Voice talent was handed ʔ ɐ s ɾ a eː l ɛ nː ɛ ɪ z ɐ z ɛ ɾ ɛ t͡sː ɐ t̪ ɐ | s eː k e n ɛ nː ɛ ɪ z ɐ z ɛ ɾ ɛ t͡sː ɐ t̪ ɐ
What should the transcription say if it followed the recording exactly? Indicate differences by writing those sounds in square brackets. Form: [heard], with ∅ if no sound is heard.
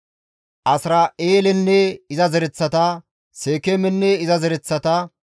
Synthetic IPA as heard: ʔ ɐ s ɾ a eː l ɛ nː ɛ ɪ z ɐ z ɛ ɾ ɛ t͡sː ɐ t̪ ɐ | s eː k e [m] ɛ nː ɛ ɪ z ɐ z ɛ ɾ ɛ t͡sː ɐ t̪ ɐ